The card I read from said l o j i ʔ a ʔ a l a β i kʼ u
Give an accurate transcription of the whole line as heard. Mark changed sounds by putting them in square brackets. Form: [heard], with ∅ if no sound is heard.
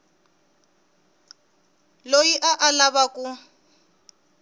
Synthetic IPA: l o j i ʔ a ʔ a l a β [a] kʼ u